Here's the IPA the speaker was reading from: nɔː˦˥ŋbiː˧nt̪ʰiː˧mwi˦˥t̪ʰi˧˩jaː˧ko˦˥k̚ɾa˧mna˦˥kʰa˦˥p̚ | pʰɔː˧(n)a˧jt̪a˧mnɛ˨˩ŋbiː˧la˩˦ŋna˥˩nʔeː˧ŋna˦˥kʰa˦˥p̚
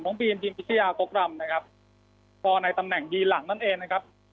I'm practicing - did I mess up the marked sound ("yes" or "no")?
no